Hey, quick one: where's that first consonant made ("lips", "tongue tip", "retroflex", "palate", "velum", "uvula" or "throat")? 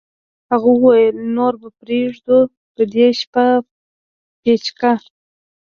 throat